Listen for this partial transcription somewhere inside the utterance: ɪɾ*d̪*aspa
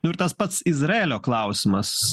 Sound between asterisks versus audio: incorrect: t̪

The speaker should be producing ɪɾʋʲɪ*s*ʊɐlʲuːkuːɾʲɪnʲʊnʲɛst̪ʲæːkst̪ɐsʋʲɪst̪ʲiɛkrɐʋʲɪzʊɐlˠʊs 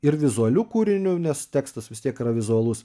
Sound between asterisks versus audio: incorrect: z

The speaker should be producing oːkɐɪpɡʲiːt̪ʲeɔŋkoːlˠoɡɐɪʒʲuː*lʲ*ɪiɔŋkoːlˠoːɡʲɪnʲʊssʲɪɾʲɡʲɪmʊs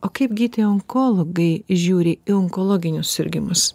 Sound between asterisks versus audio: incorrect: ɾʲ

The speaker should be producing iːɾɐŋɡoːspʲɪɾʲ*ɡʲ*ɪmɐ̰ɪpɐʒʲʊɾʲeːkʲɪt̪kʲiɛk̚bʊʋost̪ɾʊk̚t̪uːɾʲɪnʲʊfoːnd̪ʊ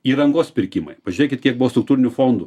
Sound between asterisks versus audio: incorrect: kʲ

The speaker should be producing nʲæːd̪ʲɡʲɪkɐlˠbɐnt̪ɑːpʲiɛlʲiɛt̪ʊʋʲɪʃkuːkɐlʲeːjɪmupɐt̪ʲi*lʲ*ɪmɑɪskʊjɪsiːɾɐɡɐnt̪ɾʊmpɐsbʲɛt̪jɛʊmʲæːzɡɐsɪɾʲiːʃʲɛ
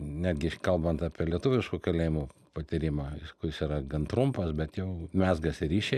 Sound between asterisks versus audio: incorrect: ɾʲ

